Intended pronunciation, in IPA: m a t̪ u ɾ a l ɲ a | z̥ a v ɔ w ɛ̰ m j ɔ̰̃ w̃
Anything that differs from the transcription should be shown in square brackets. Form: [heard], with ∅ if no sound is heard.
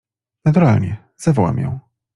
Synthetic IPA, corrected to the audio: [n] a t̪ u ɾ a l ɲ [ɛ] | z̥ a v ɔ w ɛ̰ m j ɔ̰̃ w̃